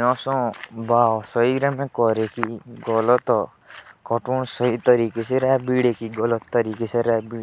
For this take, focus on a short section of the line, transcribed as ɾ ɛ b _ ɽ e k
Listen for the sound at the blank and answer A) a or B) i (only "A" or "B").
B